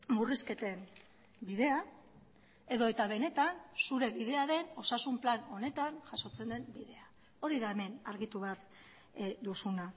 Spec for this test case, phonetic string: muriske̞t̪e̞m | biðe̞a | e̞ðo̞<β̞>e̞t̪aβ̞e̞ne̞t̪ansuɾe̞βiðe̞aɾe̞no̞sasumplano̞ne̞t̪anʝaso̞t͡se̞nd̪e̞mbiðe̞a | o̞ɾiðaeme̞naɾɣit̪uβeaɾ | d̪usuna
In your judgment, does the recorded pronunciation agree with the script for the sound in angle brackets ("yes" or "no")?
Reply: no